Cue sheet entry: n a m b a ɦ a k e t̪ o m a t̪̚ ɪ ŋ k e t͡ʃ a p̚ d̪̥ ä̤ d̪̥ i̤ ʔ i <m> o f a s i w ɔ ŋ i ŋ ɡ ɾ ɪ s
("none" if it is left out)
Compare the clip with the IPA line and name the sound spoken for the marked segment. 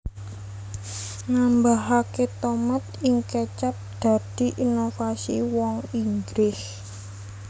n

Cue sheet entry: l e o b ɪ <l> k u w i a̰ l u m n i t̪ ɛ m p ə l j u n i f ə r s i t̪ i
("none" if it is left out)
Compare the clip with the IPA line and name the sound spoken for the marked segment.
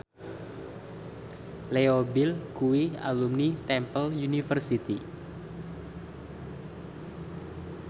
l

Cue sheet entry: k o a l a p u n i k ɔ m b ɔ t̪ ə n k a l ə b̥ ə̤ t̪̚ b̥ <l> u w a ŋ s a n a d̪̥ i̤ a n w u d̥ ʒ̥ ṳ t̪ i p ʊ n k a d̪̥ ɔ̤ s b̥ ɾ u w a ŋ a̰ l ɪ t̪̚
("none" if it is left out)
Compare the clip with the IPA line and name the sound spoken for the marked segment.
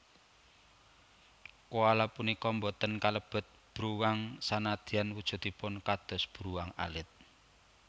ɾ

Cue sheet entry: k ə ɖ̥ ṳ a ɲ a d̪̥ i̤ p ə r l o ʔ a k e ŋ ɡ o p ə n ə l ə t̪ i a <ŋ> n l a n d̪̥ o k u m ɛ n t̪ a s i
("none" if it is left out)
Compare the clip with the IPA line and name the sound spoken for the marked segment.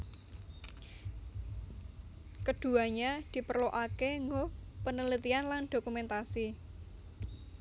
none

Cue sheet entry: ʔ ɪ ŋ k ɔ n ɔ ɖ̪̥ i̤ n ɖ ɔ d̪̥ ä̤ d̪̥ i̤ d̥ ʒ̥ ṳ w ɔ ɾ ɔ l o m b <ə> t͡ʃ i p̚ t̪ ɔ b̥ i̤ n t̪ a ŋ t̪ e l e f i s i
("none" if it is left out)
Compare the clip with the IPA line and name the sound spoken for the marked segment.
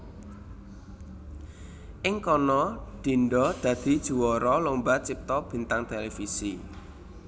a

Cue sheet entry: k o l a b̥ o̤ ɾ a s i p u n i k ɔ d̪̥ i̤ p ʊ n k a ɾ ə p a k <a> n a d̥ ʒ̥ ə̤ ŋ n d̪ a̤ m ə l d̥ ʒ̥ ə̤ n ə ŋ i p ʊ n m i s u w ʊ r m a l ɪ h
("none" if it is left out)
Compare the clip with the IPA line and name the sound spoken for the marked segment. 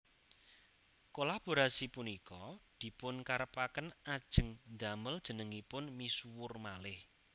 ə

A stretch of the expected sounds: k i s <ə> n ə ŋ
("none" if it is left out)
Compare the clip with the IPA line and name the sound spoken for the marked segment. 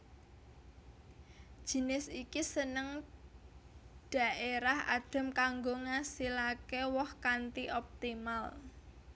ə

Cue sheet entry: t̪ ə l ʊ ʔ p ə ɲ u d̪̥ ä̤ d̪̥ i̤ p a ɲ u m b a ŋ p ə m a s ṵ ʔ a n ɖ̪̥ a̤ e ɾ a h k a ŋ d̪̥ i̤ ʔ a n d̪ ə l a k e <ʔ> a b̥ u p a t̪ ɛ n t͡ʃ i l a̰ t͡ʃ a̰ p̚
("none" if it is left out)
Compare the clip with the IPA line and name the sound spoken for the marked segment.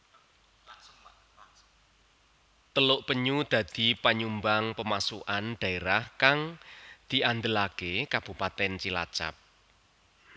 k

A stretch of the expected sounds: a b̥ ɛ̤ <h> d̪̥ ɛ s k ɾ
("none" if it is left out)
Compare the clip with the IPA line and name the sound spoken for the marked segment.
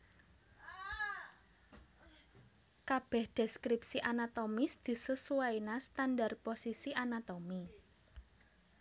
h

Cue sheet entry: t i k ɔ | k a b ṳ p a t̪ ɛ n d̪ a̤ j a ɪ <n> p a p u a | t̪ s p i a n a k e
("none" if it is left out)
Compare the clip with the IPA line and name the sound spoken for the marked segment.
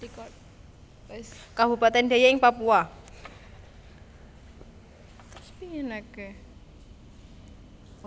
ŋ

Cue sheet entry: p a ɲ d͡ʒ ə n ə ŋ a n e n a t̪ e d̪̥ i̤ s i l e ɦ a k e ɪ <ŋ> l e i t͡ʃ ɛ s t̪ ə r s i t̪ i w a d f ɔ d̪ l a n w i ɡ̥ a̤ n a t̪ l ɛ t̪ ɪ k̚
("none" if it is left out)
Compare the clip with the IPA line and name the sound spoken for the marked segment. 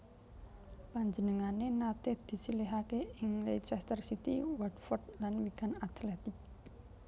ŋ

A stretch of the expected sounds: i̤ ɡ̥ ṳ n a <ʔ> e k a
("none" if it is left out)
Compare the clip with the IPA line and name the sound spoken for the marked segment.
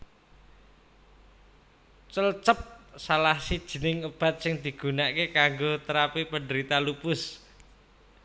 k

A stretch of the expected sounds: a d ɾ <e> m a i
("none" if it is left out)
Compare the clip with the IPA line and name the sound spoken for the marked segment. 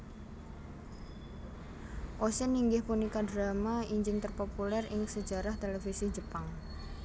a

